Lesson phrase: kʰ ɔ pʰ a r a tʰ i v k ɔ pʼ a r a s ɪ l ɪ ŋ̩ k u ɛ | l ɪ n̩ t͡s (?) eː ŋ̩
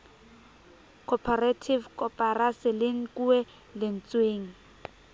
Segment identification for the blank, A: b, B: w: B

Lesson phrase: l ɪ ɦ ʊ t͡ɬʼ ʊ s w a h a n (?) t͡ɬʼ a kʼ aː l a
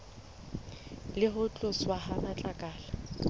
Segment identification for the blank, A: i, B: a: B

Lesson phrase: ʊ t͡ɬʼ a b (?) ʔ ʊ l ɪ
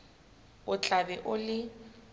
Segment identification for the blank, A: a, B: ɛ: B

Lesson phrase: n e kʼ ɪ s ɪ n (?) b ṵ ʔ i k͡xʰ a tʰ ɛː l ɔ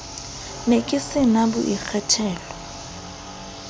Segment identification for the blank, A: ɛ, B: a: B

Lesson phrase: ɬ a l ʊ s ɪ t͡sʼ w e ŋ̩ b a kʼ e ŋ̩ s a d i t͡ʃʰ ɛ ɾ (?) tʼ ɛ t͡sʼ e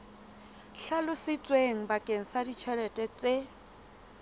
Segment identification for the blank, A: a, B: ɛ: B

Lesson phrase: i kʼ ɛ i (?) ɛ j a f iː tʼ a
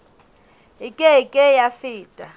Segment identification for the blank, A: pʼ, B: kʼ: B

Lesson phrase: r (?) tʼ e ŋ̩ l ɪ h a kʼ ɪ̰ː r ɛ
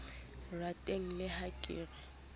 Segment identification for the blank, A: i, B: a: B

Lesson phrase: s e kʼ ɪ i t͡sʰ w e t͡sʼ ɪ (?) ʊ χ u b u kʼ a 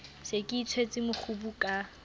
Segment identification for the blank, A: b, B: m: B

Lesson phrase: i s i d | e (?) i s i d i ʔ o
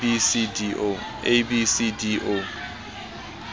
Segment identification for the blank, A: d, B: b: B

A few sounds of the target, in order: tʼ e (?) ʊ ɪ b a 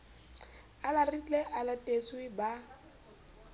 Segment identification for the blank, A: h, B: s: B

